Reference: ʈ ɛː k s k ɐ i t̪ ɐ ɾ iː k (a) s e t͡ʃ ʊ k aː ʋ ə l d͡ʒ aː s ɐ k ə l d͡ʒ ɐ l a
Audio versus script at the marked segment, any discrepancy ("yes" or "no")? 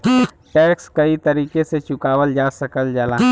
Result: yes